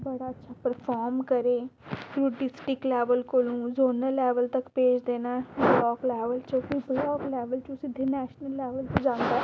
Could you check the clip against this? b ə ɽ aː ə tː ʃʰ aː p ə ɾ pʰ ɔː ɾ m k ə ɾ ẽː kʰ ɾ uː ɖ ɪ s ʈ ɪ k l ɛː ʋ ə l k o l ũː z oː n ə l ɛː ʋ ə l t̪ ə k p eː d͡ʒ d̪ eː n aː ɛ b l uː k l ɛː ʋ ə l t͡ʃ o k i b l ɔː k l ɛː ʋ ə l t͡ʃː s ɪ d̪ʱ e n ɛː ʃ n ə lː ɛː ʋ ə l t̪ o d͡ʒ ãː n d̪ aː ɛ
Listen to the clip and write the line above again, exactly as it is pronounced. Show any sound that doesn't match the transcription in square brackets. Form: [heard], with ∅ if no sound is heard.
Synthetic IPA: b ə ɽ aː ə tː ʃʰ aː p ə ɾ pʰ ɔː ɾ m k ə ɾ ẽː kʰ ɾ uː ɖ ɪ s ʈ ɪ k l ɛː ʋ ə l k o l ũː z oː n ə l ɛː ʋ ə l t̪ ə k p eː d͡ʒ d̪ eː n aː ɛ b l [ɔː] k l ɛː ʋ ə l t͡ʃ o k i b l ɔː k l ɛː ʋ ə l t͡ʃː s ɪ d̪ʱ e n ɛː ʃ n ə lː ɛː ʋ ə l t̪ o d͡ʒ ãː n d̪ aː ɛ